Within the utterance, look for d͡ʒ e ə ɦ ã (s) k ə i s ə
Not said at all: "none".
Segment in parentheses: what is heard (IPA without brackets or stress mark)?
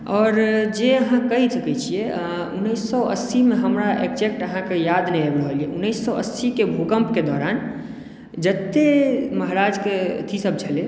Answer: none